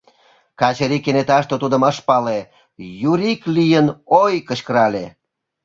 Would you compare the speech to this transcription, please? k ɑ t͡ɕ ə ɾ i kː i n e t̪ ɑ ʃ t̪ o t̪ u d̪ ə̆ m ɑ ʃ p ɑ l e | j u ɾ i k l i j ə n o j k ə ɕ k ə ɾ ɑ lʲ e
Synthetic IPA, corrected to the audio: k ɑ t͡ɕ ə ɾ i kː e n e t̪ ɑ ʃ t̪ o t̪ u d̪ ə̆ m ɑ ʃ p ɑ l e | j u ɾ i k l i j ə n o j k ə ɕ k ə ɾ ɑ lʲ e

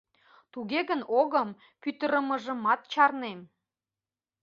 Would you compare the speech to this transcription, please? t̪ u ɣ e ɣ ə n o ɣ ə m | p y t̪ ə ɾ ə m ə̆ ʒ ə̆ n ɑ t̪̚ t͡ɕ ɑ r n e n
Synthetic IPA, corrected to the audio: t̪ u ɣ e ɣ ə n o ɣ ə m | p y t̪ ə ɾ ə m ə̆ ʒ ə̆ m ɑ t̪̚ t͡ɕ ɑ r n e m

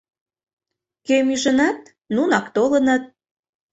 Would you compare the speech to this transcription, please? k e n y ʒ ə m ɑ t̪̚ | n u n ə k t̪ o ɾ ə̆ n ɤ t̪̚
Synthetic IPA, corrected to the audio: k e m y ʒ ə n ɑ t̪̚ | n u n ɑ k t̪ o l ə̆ n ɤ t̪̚

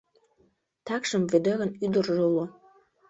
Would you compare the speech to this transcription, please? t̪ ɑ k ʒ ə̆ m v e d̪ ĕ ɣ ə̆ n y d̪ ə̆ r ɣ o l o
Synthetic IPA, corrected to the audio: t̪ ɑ k ʃ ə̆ m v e d̪ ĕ ɣ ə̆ n y d̪ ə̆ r ʒ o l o

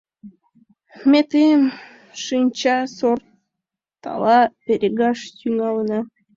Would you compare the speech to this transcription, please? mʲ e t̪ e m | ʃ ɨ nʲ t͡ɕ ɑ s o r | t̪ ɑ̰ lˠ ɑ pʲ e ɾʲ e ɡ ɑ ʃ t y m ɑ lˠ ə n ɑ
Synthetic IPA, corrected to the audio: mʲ e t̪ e m | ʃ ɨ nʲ t͡ɕ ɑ s o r | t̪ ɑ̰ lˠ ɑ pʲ e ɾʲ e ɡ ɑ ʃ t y ŋ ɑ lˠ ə n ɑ

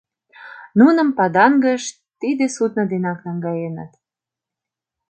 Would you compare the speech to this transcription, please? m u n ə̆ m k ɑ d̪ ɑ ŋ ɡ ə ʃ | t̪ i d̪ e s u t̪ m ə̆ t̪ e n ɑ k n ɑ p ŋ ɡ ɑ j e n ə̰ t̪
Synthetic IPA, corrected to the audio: n u n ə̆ m p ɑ d̪ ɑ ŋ ɡ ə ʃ | t̪ i d̪ e s u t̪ n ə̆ d̪ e n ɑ k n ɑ ŋ ɡ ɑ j e n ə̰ t̪

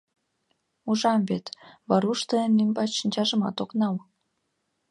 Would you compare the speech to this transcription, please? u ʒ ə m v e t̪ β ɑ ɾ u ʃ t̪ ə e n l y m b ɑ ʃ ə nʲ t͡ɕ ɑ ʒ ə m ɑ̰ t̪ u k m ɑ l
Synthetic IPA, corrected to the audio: u ʒ ɑ m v e t̪ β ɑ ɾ u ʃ t̪ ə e n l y m b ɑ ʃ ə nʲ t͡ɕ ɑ ʒ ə m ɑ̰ t̪ o k n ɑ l

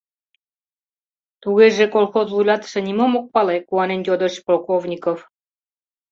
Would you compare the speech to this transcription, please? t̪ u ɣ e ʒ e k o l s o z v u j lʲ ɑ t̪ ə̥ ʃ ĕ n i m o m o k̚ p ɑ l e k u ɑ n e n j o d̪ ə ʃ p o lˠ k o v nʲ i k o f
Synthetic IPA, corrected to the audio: t̪ u ɣ e ʒ e k o l x o z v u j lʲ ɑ t̪ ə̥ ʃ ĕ n i m o m o k̚ p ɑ l e k u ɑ n e n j o d̪ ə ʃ p o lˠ k o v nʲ i k o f

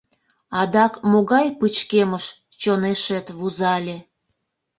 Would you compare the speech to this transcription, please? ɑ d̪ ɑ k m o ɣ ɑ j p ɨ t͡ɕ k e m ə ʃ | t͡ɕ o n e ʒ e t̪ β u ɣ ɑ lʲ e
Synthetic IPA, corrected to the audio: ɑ d̪ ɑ k m o ɣ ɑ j p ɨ t͡ɕ k e m ə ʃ | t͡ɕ o n e ʃ e t̪ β u z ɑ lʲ e

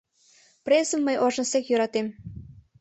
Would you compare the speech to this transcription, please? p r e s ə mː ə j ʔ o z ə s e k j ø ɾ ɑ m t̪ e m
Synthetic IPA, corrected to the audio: p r e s ə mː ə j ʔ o ʒ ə s e k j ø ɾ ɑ t̪ e m

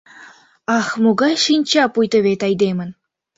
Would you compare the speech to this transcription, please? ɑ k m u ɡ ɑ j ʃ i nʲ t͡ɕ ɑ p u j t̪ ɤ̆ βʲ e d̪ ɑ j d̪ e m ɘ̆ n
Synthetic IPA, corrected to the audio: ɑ x m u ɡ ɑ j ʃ i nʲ t͡ɕ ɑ p u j t̪ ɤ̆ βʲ e t̪ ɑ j d̪ e m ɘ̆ n

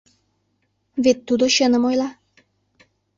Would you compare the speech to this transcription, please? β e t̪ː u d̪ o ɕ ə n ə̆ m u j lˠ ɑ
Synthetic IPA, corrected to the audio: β e t̪ː u d̪ o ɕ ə n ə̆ m o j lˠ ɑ

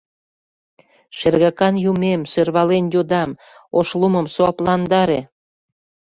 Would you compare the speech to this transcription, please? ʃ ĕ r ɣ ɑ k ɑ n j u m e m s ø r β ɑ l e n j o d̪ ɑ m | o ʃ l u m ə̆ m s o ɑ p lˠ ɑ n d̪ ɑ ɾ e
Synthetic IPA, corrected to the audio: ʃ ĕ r ɣ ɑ k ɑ n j u m e m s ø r β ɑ l e n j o d̪ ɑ m | o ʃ l u m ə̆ m s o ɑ p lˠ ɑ n d̪ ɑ ɾ e

